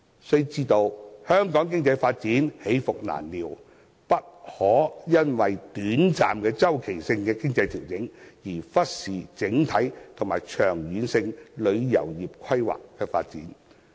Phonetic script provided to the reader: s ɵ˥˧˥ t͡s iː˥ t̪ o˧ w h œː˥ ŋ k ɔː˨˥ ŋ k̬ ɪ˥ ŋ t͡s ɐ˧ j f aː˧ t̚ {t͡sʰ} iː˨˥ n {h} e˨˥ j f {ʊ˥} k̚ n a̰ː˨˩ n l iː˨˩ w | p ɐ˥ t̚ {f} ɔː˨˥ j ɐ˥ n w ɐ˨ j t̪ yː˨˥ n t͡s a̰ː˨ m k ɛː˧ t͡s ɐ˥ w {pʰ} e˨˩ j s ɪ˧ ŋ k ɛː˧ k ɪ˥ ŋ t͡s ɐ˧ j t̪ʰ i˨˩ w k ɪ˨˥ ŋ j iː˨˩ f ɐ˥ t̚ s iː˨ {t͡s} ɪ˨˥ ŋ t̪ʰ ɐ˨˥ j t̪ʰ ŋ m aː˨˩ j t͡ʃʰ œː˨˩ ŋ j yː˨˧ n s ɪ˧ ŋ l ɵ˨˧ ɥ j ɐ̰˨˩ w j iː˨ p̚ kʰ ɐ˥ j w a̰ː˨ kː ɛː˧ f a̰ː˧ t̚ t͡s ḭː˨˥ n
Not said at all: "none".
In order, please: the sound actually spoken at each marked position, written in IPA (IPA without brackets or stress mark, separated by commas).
t͡s, h, ʊ˨, h, kʰ, t͡s